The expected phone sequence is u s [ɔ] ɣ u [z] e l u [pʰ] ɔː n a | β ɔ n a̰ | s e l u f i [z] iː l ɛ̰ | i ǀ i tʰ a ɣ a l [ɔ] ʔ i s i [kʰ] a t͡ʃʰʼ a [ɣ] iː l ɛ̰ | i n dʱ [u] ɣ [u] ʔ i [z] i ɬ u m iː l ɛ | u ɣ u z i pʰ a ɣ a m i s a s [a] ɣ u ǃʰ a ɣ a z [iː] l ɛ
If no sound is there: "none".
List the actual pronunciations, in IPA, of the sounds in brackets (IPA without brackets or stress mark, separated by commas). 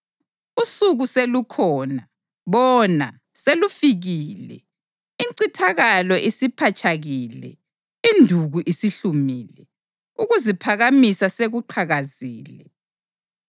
u, s, kʰ, ɣ, ɔ, pʰ, ɣ, u, u, s, e, iː